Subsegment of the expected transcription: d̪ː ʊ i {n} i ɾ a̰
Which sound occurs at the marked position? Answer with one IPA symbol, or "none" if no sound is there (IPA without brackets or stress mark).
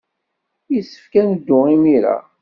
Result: m